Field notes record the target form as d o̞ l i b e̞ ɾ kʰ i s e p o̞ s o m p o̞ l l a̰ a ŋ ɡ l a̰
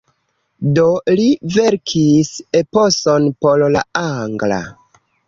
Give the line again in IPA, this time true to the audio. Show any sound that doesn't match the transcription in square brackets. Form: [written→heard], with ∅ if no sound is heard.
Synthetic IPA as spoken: d o̞ l i [b→v] e̞ ɾ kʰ i s e p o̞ s o [m→n] p o̞ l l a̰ a ŋ ɡ l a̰

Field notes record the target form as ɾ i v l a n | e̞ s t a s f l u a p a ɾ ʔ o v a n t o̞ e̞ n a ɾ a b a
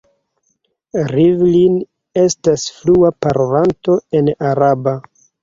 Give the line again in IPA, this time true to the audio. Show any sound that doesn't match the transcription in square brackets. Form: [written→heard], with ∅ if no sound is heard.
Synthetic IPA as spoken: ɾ i v l [a→i] n | e̞ s t a s f l u a p a ɾ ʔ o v a n t o̞ e̞ n a ɾ a b a

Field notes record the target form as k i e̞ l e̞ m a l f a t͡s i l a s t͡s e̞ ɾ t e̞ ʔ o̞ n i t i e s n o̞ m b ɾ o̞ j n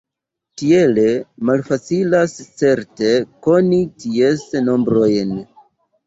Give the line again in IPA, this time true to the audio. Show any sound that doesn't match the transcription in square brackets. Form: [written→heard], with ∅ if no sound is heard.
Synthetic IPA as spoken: [k→t] i e̞ l e̞ m a l f a t͡s i l a s t͡s e̞ ɾ t e̞ [ʔ→k] o̞ n i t i e s n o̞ m b ɾ o̞ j n

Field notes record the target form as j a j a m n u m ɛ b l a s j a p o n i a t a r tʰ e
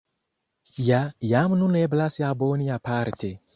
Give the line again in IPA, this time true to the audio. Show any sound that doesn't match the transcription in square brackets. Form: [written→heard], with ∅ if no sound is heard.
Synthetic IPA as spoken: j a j a m n u [m→n] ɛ b l a s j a [p→b] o n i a [t→p] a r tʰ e

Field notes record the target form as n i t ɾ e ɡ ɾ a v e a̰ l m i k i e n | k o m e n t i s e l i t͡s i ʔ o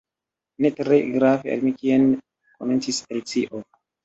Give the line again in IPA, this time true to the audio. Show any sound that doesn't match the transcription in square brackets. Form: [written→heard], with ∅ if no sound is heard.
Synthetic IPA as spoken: n [i→e] t ɾ e ɡ ɾ a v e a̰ l m i k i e n | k o m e n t i s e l i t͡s i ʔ o

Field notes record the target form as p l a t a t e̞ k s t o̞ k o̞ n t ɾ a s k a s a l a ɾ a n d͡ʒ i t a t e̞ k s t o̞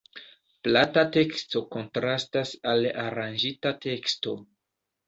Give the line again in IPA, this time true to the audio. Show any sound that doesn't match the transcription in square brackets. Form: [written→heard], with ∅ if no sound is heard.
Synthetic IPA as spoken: p l a t a t e̞ k s t o̞ k o̞ n t ɾ a s [k→t] a s a l a ɾ a n d͡ʒ i t a t e̞ k s t o̞

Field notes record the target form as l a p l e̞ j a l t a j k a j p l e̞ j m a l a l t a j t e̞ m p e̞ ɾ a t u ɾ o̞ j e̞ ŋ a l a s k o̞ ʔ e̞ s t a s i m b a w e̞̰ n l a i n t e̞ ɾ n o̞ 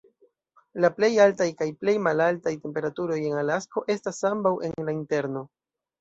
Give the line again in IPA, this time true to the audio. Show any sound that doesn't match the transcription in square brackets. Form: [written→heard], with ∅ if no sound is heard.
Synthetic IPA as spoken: l a p l e̞ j a l t a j k a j p l e̞ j m a l a l t a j t e̞ m p e̞ ɾ a t u ɾ o̞ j e̞ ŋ a l a s k o̞ ʔ e̞ s t a s [i→a] m b a w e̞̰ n l a i n t e̞ ɾ n o̞

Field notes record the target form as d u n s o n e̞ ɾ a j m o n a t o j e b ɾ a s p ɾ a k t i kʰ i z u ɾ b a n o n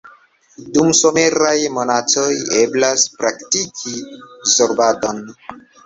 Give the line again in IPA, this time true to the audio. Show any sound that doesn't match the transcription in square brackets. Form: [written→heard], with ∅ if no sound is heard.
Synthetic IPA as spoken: d u [n→m] s o [n→m] e̞ ɾ a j m o n a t o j e b [ɾ→l] a s p ɾ a k t i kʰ i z [u→o] ɾ b a [n→d] o n

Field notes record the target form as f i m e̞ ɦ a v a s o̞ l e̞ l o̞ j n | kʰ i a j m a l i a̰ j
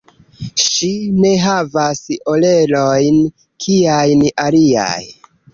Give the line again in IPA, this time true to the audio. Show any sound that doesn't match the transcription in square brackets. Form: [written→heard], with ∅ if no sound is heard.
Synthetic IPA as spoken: [f→ʃ] i [m→n] e̞ ɦ a v a s o̞ l e̞ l o̞ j n | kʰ i a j [m→n] a l i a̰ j

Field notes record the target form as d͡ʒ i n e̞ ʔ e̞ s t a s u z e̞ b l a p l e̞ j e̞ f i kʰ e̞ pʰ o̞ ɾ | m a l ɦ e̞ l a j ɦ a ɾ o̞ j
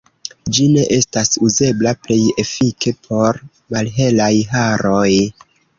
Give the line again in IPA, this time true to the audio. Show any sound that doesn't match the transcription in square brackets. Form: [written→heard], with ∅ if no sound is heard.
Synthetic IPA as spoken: d͡ʒ i n e̞ ʔ e̞ s t a s u z e̞ b l a p l e̞ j e̞ f i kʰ e̞ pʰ o̞ ɾ | m a l ɦ e̞ l a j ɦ a ɾ o̞ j

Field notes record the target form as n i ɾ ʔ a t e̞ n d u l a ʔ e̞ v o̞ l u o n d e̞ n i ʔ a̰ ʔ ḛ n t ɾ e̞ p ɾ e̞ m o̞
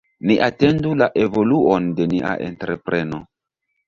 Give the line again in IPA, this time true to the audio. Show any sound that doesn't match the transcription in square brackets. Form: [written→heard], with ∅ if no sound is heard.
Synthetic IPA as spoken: n i [ɾ→∅] ʔ a t e̞ n d u l a ʔ e̞ v o̞ l u o n d e̞ n i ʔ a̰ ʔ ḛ n t ɾ e̞ p ɾ e̞ [m→n] o̞

